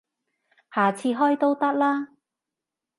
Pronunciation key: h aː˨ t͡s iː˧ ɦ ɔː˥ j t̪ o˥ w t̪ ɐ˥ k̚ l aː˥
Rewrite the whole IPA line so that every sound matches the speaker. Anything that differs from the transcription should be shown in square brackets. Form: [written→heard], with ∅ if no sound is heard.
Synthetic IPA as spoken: h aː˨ [t͡s→t͡sʰ] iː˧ ɦ ɔː˥ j t̪ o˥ w t̪ ɐ˥ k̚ l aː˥